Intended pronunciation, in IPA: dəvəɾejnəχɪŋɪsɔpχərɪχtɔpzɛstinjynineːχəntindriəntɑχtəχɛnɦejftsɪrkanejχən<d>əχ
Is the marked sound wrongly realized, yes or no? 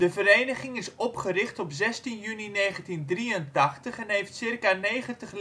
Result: yes